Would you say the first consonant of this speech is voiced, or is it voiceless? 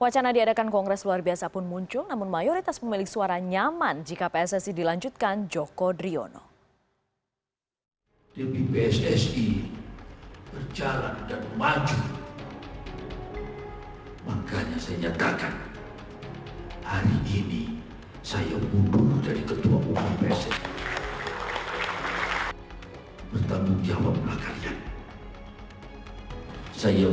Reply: voiced